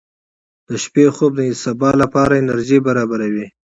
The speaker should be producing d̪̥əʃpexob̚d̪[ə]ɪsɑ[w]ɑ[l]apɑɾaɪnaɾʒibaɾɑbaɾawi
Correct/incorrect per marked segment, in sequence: correct, incorrect: b, correct

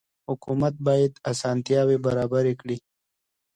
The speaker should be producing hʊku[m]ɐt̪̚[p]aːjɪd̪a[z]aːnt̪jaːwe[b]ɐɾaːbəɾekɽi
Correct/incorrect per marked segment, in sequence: correct, incorrect: b, incorrect: s, correct

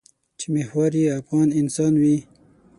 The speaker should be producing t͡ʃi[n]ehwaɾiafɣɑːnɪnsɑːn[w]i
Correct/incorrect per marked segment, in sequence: incorrect: m, correct

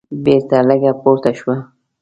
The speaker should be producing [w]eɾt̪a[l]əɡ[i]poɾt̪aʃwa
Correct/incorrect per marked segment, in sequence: incorrect: b, correct, incorrect: a

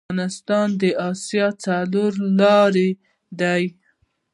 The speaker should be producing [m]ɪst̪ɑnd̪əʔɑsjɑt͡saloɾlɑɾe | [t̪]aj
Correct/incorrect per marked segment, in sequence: incorrect: n, incorrect: d̪

